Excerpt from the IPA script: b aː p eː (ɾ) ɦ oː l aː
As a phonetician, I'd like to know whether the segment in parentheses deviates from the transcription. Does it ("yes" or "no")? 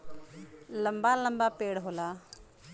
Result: yes